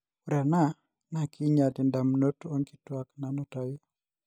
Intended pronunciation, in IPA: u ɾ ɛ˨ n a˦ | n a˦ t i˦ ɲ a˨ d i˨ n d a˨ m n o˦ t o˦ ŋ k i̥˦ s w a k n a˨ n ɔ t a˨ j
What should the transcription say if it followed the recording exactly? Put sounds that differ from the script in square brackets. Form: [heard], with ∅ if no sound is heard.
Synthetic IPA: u ɾ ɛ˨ n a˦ | n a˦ [k] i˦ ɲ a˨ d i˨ n d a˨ m n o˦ t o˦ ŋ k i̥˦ [t] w a k n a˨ n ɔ t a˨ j